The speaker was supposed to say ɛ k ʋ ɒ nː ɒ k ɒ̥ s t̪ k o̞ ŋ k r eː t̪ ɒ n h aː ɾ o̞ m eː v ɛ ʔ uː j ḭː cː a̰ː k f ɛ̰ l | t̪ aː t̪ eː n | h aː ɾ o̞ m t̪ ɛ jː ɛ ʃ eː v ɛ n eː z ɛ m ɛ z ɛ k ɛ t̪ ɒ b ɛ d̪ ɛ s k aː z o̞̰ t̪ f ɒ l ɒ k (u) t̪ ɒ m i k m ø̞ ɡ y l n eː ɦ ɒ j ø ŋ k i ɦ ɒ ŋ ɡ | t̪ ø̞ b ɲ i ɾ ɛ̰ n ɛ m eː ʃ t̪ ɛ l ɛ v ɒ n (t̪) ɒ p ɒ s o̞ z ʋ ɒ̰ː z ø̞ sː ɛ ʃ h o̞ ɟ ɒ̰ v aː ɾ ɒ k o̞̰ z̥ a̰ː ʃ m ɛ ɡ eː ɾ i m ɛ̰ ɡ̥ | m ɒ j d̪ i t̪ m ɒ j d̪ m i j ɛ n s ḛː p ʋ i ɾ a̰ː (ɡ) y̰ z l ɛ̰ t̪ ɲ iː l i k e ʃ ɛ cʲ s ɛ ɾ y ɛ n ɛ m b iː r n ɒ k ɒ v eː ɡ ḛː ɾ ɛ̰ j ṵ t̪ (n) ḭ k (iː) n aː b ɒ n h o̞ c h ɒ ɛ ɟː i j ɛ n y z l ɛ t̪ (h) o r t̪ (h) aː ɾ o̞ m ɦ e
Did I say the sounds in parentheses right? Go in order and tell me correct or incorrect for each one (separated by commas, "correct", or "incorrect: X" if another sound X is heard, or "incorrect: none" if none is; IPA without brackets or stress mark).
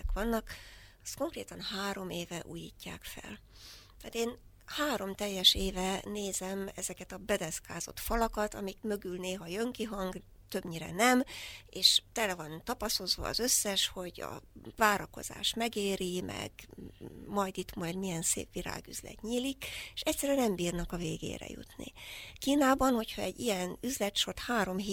incorrect: ɒ, correct, correct, correct, correct, incorrect: ʃ, correct